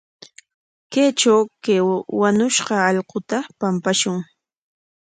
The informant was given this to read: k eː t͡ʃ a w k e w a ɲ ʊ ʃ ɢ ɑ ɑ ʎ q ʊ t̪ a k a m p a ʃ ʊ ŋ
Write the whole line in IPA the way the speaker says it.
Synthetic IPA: k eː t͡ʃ a w k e w a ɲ ʊ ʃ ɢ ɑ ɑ ʎ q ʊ t̪ a p a m p a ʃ ʊ ŋ